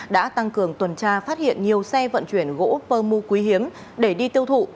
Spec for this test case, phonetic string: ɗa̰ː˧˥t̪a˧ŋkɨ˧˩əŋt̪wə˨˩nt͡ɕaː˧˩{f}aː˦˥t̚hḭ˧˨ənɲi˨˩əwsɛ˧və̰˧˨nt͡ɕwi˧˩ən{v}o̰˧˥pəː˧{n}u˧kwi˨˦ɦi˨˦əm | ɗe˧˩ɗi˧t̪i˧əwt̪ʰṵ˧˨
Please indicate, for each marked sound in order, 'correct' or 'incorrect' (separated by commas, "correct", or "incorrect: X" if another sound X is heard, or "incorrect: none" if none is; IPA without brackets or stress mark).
correct, incorrect: ɣ, incorrect: m